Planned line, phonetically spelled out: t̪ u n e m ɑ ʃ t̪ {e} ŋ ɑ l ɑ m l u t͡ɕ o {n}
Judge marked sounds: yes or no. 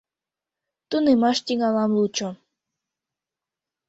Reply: no, no

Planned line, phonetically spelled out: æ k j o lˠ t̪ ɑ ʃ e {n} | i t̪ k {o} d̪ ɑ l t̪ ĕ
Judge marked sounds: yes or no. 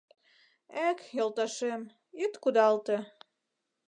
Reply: no, no

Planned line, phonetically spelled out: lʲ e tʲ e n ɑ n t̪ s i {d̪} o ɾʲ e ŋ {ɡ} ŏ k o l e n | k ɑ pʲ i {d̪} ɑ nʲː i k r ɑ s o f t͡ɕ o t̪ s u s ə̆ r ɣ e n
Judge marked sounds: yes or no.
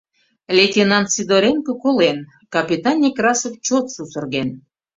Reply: yes, no, no

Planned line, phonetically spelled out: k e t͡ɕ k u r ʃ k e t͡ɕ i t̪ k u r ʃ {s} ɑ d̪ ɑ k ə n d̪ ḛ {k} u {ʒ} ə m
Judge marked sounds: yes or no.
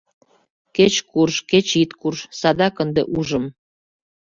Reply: yes, no, yes

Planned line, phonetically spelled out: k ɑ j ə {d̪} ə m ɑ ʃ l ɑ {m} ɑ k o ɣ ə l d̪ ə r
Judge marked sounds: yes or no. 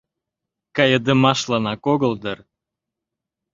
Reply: yes, no

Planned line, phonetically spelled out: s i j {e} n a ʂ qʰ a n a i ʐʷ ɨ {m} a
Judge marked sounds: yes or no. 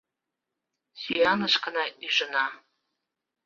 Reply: no, no

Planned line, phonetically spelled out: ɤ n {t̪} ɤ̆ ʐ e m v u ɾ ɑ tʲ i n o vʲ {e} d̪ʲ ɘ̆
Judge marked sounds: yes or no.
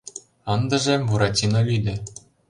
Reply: no, no

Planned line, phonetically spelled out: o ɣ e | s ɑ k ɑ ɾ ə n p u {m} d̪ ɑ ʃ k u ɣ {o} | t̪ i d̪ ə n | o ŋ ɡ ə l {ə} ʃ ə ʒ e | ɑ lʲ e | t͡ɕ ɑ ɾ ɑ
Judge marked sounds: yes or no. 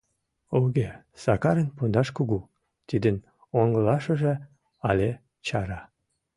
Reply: no, no, no

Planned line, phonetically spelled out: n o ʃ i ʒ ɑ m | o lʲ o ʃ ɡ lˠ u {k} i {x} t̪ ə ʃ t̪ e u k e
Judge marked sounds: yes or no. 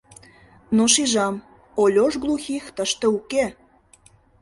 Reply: no, yes

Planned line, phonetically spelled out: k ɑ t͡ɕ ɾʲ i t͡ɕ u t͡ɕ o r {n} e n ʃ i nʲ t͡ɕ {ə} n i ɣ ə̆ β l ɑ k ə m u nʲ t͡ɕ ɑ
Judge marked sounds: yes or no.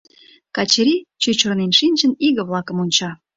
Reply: yes, yes

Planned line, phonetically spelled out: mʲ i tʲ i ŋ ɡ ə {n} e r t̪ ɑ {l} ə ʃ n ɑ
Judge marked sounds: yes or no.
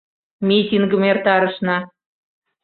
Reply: no, no

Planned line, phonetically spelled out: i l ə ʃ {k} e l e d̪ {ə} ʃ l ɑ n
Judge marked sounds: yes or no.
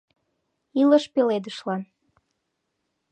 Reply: no, yes

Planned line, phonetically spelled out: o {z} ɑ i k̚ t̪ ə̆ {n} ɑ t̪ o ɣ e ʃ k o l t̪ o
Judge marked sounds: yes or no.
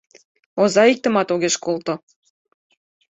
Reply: yes, no

